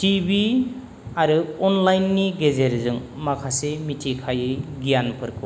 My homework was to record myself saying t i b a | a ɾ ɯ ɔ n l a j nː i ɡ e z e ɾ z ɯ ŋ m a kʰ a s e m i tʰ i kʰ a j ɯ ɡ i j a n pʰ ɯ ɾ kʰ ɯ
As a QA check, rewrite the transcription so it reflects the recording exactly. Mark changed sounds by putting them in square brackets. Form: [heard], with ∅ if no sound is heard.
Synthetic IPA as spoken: t i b [i] | a ɾ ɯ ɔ n l a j nː i ɡ e z e ɾ z ɯ ŋ m a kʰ a s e m i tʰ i kʰ a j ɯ ɡ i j a n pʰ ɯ ɾ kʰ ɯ